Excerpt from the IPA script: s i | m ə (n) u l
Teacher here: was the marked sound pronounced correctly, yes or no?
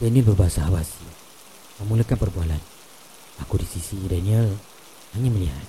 no